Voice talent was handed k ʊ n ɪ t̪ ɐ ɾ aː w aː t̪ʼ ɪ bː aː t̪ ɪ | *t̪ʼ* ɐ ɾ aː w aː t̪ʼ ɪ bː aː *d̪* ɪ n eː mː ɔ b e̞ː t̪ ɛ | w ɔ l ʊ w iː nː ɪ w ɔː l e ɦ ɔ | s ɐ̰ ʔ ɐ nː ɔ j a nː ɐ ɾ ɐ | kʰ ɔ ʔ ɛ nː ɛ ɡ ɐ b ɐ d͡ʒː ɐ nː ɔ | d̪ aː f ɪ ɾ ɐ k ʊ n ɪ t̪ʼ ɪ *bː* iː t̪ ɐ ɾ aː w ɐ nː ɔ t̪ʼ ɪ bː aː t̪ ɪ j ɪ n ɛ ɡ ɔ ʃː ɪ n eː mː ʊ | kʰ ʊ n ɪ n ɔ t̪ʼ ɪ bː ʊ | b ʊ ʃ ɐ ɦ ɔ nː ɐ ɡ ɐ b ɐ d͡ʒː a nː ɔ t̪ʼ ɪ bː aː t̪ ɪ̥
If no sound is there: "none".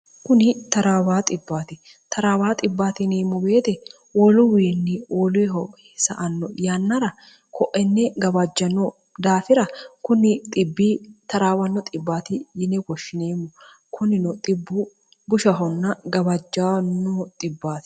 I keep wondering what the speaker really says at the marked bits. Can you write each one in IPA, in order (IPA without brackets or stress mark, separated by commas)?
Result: t̪, t̪, bː